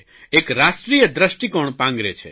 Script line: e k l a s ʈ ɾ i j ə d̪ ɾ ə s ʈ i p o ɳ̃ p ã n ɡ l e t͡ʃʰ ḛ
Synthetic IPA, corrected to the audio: e k ɾ a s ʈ ɾ i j ə d̪ ɾ ə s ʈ i k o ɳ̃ p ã ŋ ɡ ɾ e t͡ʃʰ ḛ